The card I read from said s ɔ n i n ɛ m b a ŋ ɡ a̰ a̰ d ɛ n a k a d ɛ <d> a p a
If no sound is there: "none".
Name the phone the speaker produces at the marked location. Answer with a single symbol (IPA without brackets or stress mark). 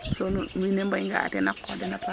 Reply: n